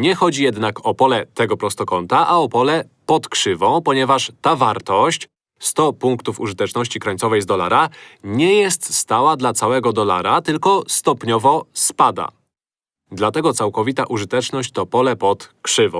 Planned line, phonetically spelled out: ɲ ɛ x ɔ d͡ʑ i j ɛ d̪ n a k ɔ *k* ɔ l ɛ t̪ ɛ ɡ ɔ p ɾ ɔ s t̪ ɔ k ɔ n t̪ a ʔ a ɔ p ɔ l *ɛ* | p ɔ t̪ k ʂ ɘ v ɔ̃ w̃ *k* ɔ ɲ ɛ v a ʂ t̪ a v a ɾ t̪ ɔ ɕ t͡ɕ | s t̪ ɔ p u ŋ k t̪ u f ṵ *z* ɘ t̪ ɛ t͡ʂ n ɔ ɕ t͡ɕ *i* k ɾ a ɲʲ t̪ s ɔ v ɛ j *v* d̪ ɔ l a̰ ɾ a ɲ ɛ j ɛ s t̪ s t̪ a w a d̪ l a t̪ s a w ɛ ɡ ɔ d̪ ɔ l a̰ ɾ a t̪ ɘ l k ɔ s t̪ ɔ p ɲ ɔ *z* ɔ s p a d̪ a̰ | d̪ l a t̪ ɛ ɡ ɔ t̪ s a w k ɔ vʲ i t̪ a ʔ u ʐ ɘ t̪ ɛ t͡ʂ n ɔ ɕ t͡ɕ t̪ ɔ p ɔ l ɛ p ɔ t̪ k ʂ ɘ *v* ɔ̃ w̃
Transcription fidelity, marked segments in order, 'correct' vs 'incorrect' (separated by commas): incorrect, correct, incorrect, incorrect, correct, incorrect, incorrect, correct